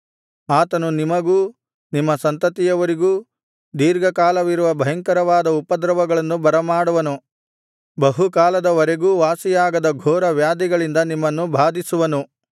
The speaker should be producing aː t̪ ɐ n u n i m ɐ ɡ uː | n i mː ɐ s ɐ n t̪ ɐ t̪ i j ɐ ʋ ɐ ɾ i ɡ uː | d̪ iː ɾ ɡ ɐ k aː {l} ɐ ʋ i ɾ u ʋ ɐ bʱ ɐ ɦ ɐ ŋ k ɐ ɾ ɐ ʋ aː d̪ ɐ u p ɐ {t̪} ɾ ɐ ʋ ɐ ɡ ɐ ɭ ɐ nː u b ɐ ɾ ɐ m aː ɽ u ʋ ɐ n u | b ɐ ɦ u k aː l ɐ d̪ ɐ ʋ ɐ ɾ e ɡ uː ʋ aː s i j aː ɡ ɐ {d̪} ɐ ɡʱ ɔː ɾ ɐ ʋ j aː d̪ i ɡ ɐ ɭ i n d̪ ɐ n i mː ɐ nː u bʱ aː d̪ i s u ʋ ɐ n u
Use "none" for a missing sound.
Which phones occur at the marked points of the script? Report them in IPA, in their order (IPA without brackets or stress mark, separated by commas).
l, d̪, d̪